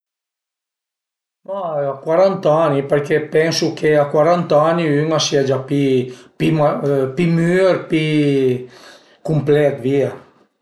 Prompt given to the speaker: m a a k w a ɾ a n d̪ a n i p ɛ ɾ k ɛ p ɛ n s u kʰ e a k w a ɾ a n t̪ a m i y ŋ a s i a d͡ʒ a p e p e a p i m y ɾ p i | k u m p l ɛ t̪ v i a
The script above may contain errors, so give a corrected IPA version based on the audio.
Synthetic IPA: m a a k w a ɾ a n t̪ a n i p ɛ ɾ k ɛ p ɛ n s u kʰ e a k w a ɾ a n t̪ a n i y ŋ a s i a d͡ʒ a p i p i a p i m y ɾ p i | k u m p l ɛ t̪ v i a